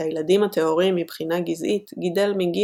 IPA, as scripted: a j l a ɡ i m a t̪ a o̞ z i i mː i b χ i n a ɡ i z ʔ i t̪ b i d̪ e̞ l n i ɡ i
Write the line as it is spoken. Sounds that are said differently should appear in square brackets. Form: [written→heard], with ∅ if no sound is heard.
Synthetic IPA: a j l a [ɡ→d] i m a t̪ [a→e] o̞ [z→ʁ] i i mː i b χ i n a ɡ i z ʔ i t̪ [b→ɡ] i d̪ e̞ l [n→m] i ɡ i

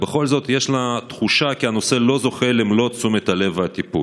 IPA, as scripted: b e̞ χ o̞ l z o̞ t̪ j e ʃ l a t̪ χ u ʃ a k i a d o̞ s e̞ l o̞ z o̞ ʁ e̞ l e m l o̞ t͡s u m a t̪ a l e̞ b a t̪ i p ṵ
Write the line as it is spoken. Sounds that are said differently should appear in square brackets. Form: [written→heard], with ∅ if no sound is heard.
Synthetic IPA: b e̞ χ o̞ l z o̞ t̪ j e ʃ l a t̪ χ u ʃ a k i a [d→n] o̞ s e̞ l o̞ z o̞ [ʁ→χ] e̞ l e m l o̞ t͡s u m [a→e] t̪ a l e̞ [b→v] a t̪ i p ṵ

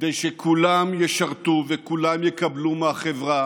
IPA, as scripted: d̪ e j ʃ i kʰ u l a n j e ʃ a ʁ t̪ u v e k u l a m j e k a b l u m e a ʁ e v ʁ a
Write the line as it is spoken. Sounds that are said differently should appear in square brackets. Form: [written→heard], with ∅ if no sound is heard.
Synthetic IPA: d̪ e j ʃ [i→e] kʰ u l a [n→m] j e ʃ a ʁ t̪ u v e k u l a m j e k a b l u m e a [ʁ→χ] e v ʁ a

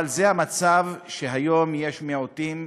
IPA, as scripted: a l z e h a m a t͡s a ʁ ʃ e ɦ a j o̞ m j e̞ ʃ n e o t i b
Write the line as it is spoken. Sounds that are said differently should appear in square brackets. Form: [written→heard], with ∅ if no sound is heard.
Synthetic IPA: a l z e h a m a t͡s a [ʁ→v] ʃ e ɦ a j o̞ m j e̞ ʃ [n→m] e o t i [b→m]

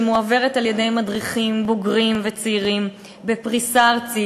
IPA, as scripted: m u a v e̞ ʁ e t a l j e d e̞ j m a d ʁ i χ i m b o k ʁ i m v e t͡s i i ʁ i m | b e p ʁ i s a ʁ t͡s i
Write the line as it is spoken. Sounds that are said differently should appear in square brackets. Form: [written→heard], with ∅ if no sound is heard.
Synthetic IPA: m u a v e̞ ʁ e t a l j e d e̞ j m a d ʁ i χ i m b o [k→ɡ] ʁ i m v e t͡s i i ʁ i m | b e p ʁ i s a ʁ t͡s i

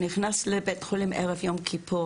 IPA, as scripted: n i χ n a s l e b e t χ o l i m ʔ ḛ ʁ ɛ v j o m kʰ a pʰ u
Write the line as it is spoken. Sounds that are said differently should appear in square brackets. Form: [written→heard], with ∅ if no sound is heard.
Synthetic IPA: n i χ n a s l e b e t χ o l i m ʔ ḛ ʁ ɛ v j o m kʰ [a→i] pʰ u

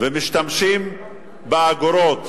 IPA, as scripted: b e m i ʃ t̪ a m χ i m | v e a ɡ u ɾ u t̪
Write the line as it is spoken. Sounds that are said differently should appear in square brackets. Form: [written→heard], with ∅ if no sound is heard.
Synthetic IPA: [b→v] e m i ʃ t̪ a m [χ→ʃ] i m | [v→b] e a ɡ [u→o] ɾ [u→o] t̪

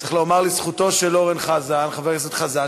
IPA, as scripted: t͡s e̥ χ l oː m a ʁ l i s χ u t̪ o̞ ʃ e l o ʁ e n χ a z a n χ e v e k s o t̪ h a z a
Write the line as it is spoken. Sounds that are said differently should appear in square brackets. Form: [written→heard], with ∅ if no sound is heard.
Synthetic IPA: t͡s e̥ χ l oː m a ʁ l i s χ u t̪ o̞ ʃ e l o ʁ e n χ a z a n χ [e→a] v e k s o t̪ [h→χ] a z a

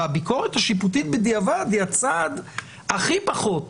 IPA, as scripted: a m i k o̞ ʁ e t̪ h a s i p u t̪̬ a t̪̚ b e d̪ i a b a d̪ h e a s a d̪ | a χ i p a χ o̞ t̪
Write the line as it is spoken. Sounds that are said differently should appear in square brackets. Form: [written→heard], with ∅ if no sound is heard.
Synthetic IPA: a [m→b] i k o̞ ʁ e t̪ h a [s→ʃ] i p u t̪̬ [a→i] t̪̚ b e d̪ i a [b→v] a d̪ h [e→i] a [s→t͡s] a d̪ | a χ i p a χ o̞ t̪

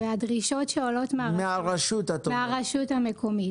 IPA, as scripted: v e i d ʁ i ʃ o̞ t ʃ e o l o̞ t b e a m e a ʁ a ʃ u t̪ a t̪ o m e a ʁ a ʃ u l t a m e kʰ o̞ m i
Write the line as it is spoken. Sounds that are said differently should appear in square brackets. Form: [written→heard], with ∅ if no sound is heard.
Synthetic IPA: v e [i→a] d ʁ i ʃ o̞ t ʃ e o l o̞ t [b→m] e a m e a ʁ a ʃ u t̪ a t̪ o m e a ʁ a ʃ u [l→∅] t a m e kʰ o̞ m i

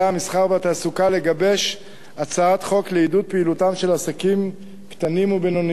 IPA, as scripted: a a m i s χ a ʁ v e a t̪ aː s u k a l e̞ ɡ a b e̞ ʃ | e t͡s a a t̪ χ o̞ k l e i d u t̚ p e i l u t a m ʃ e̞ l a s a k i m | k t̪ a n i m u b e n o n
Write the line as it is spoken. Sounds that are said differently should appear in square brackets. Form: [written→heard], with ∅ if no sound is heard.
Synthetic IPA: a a m i s χ a ʁ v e a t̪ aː s u k a l e̞ ɡ a b e̞ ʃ | [e→a] t͡s a a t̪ χ o̞ k l e i d u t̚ p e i l u t a m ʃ e̞ l a s a k i m | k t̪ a n i m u b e n o n

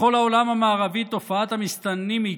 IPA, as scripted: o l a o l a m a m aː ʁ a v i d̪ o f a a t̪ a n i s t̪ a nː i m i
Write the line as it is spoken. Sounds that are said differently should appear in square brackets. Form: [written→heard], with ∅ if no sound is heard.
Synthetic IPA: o l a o l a m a m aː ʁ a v i [d̪→t̪] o f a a t̪ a [n→m] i s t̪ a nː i m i

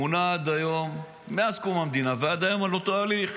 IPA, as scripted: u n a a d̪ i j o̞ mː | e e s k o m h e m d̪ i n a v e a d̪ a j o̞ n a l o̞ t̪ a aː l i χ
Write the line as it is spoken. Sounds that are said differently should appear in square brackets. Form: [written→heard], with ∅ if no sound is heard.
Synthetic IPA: u n a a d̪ [i→a] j o̞ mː | e [e→a] s k [o→u] m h [e→a] m d̪ i n a v e a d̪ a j o̞ [n→m] a l o̞ t̪ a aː l i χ

